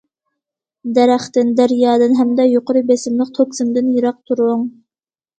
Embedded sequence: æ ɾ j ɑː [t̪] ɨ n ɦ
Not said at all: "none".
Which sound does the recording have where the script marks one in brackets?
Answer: d̪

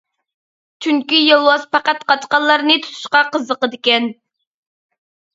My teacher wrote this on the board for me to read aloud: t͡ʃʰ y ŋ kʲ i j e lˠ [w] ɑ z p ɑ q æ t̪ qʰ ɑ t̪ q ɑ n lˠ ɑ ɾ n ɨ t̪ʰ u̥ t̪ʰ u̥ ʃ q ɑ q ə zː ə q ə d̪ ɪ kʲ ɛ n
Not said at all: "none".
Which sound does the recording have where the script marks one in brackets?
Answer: w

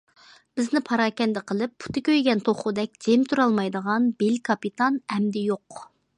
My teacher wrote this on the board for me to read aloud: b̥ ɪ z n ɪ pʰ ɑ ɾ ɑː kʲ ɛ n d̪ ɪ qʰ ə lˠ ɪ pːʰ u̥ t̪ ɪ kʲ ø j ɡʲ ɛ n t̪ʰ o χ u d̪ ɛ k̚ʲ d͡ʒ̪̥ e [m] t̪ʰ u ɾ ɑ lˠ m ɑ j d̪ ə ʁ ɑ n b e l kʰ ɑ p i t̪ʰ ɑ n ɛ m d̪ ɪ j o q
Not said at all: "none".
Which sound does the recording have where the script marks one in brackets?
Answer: m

